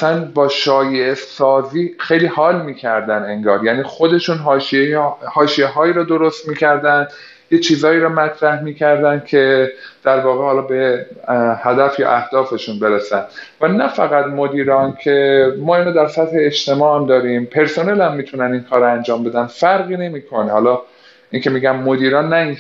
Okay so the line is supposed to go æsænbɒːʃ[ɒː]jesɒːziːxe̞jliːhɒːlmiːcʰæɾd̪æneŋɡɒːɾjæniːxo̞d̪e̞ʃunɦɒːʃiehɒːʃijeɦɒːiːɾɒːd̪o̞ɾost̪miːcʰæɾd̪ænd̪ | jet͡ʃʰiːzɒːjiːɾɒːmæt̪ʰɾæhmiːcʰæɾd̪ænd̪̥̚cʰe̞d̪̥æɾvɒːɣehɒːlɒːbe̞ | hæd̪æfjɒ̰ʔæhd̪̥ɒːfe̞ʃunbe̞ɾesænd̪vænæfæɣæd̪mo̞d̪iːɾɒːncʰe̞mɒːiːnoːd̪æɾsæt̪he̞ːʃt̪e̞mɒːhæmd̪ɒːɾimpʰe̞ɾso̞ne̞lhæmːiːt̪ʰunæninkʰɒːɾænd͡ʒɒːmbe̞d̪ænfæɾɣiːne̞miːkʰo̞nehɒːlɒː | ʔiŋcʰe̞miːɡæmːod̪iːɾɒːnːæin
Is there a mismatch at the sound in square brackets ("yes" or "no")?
no